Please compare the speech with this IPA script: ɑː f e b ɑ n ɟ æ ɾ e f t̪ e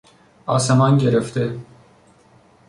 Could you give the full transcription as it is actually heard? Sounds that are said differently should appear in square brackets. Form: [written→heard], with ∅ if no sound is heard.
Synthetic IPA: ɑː [f→s] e [b→m] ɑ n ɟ [æ→e] ɾ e f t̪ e